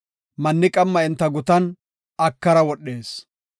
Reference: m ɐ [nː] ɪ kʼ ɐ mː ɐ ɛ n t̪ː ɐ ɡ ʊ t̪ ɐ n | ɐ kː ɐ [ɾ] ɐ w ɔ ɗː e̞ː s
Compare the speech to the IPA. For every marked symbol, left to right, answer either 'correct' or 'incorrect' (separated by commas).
correct, correct